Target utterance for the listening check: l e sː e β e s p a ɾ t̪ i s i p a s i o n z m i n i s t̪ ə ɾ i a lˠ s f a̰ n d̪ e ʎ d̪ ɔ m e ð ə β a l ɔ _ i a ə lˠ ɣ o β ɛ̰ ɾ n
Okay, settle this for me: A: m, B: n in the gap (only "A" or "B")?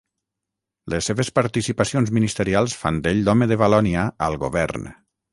B